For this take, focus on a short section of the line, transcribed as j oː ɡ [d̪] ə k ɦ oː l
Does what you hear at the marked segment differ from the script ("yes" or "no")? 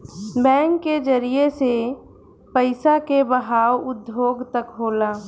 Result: yes